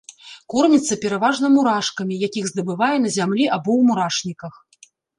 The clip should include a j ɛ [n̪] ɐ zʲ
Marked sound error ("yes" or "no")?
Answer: no